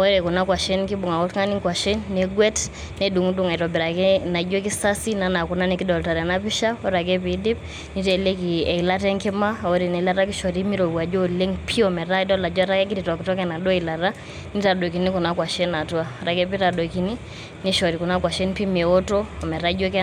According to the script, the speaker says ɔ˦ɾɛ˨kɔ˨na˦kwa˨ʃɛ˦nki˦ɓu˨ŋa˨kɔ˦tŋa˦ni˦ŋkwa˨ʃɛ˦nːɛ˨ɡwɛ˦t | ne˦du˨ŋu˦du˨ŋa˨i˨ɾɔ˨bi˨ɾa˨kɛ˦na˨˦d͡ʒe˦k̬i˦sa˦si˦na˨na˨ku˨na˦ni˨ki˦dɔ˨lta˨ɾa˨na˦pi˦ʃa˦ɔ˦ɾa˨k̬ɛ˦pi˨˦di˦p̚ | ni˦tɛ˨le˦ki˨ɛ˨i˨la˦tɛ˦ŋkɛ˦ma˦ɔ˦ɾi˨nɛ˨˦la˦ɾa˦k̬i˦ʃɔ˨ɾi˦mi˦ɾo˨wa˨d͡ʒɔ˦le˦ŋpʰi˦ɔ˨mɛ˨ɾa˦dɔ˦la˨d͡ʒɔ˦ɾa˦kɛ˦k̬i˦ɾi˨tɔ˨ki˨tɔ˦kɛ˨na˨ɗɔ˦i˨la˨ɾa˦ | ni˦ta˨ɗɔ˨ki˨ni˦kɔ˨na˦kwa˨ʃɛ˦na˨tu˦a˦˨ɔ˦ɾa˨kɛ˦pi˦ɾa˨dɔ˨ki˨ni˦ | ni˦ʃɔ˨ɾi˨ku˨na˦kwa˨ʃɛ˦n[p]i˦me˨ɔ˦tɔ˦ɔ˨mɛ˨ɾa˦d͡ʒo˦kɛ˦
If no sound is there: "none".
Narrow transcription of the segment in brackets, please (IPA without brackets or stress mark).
p